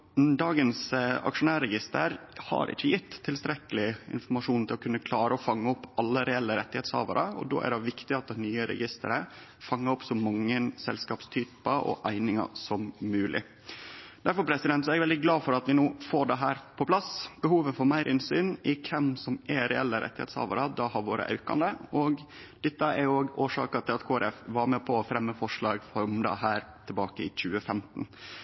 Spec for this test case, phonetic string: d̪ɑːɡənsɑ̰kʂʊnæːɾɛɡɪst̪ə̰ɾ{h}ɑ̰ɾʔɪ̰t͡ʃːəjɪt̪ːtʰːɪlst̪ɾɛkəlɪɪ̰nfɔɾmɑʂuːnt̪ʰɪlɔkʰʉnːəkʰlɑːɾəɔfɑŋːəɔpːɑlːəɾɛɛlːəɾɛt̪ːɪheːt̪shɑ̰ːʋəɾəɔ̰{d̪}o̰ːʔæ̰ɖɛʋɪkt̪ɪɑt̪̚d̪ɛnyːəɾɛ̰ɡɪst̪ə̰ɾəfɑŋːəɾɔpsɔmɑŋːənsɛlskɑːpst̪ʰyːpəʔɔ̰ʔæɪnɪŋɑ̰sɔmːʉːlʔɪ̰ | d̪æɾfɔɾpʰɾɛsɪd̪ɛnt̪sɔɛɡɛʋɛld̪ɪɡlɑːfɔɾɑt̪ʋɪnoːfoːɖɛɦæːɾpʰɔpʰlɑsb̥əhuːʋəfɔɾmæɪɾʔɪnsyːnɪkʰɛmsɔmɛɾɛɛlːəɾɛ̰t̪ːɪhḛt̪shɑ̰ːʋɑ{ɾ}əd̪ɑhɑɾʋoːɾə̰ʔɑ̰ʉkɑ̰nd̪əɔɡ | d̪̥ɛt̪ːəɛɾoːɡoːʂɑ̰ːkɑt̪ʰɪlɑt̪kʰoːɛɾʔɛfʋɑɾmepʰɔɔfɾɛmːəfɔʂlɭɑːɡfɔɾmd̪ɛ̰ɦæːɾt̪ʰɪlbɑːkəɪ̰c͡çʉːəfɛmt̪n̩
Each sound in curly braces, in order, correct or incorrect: correct, correct, correct

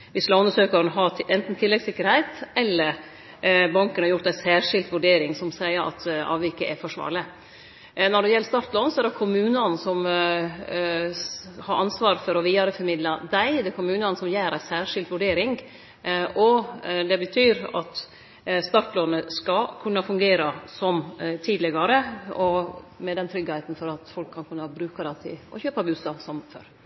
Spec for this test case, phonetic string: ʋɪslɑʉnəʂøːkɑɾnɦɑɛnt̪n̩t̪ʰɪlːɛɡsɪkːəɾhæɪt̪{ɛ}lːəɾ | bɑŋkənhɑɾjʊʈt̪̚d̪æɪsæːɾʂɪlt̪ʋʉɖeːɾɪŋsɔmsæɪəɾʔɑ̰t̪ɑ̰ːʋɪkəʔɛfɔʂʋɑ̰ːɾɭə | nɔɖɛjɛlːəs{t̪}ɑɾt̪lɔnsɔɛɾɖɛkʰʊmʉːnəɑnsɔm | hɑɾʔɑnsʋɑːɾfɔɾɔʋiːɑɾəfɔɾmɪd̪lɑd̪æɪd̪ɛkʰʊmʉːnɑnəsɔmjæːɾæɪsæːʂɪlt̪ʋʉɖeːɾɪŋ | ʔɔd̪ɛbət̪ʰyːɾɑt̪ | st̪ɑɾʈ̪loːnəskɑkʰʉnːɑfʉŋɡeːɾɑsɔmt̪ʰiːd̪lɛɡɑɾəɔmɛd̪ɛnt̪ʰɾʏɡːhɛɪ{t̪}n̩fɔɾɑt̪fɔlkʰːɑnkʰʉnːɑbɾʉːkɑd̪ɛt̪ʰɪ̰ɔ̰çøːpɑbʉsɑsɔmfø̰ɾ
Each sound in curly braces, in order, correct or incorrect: correct, correct, correct

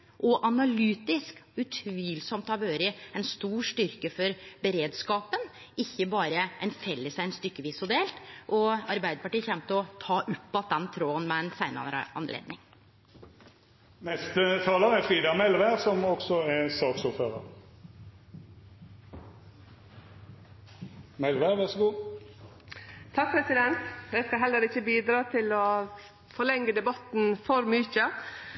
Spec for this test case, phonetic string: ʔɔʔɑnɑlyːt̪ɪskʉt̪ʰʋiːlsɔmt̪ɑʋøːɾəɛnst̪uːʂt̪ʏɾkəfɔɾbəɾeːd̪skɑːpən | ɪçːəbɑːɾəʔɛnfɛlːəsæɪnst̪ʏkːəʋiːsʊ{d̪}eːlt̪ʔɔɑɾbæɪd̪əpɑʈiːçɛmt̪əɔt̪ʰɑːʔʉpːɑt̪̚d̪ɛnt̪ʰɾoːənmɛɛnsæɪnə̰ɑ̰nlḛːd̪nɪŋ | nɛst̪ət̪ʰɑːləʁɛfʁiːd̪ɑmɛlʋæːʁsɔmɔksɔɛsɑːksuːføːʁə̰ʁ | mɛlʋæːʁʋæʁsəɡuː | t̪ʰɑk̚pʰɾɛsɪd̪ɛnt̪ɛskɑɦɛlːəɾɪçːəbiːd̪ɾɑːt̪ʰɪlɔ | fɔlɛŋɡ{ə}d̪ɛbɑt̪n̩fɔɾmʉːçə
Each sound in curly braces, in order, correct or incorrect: correct, correct

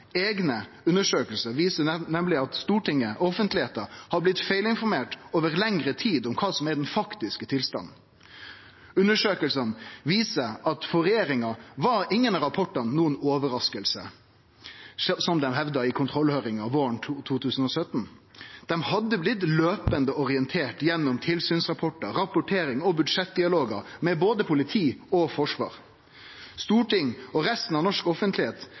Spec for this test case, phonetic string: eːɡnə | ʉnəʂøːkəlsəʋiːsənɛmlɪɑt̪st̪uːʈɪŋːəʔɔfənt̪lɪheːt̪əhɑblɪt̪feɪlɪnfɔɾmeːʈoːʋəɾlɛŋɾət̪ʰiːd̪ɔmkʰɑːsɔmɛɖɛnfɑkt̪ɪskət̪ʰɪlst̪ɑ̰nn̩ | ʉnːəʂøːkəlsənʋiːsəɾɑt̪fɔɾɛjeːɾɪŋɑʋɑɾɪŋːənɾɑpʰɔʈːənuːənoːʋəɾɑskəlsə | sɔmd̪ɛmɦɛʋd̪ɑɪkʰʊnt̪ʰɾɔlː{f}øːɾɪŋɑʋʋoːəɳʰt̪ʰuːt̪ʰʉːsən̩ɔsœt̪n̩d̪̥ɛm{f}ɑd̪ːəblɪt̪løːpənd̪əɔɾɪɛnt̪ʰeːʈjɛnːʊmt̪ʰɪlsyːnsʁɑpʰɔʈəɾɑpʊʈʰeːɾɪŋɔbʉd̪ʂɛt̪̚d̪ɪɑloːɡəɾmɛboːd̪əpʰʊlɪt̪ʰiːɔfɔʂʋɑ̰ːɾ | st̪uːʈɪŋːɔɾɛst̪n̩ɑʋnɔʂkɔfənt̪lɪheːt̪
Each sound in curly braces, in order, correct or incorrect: incorrect, incorrect

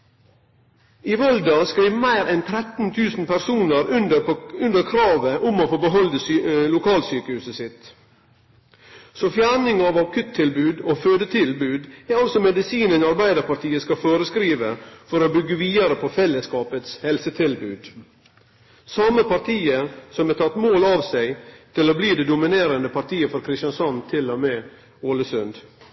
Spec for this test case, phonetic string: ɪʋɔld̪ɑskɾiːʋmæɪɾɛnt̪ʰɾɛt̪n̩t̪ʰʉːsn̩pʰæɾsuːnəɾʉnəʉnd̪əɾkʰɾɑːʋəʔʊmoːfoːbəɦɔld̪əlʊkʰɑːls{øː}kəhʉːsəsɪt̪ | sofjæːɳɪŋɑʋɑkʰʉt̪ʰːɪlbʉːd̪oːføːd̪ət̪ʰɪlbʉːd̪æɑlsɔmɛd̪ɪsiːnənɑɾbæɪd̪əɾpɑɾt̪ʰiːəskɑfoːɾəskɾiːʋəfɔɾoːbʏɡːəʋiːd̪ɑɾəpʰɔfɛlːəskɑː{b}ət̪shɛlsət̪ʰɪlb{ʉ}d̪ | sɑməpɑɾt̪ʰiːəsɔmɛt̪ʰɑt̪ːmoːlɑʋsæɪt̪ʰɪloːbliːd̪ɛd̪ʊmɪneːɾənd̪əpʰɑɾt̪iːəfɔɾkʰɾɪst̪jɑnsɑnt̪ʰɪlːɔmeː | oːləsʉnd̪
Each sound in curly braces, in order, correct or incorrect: incorrect, incorrect, incorrect

